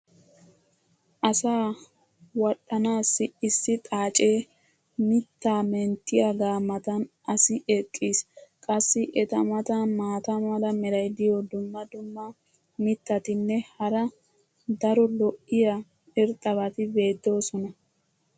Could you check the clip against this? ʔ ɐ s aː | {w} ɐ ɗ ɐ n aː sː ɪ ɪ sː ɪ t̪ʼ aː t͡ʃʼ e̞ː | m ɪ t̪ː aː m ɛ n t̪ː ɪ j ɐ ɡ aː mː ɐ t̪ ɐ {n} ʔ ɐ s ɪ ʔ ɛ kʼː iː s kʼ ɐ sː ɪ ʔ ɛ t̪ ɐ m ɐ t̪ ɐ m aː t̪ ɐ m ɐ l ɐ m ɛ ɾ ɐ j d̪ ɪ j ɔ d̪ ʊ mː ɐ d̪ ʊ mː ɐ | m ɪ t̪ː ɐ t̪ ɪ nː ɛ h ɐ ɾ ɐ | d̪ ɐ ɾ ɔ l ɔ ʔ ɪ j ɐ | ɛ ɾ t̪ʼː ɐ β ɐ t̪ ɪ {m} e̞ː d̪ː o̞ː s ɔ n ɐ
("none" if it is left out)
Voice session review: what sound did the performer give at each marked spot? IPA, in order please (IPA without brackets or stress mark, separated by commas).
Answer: w, n, b